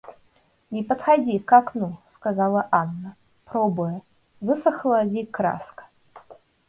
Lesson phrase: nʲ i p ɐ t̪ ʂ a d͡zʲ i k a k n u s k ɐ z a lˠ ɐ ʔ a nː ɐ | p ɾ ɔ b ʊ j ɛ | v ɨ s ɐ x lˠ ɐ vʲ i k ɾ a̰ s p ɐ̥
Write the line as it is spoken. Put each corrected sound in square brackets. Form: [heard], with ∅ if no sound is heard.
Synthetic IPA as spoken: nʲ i p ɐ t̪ [x] a d͡zʲ i k a k n u s k [a] z a lˠ ɐ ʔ a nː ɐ | p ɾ ɔ b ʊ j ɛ | v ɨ s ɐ x lˠ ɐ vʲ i k ɾ a̰ s [k] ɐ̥